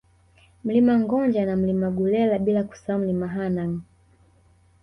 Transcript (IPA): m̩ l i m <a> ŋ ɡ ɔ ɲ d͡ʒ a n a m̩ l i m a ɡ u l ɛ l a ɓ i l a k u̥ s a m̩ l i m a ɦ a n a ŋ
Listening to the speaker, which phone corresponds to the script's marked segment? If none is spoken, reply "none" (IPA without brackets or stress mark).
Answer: a